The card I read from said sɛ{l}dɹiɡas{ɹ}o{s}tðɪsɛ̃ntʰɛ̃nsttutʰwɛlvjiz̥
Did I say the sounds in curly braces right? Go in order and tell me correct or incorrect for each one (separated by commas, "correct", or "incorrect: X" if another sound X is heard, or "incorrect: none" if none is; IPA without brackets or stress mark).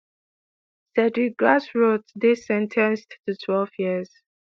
incorrect: none, correct, incorrect: none